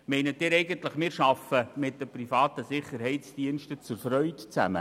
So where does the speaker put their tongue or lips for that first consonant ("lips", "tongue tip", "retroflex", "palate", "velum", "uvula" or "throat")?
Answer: lips